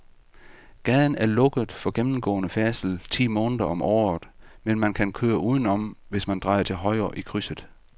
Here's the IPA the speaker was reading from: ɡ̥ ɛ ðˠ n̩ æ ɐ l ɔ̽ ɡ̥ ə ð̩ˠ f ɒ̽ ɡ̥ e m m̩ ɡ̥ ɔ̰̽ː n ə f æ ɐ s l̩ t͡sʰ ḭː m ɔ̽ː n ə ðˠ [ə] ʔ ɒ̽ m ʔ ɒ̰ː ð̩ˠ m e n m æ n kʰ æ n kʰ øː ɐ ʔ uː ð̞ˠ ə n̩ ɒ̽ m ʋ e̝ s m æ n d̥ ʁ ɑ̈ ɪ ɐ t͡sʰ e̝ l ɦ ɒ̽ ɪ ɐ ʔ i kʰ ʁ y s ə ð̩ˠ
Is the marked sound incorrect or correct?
incorrect